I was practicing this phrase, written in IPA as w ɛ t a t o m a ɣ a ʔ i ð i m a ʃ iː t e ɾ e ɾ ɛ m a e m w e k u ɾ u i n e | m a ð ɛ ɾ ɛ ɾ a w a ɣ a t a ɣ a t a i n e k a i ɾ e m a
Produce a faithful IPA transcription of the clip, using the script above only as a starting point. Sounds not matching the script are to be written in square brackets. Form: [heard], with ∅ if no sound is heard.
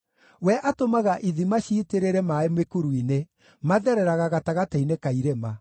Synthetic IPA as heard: w ɛ [ʔ] a t o m a ɣ a ʔ i ð i m a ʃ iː t e ɾ e ɾ ɛ m a e m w e k u ɾ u i n e | m a ð ɛ ɾ ɛ ɾ a [ɣ] a ɣ a t a ɣ a t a i n e k a i ɾ e m a